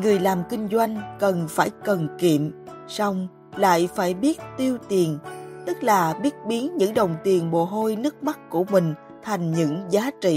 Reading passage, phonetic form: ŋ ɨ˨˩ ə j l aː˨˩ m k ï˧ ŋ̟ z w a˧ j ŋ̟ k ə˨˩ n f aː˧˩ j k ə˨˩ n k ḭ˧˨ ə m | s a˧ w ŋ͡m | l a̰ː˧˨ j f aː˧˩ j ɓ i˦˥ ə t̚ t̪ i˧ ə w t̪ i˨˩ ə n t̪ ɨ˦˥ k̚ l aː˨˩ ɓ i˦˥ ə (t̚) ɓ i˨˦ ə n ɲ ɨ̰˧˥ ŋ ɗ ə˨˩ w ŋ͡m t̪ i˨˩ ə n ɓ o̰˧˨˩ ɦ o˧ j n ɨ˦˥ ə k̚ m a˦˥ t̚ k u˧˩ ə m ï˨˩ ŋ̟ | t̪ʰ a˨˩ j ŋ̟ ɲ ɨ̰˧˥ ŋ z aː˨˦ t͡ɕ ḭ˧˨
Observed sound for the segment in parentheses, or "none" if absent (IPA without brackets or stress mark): t̚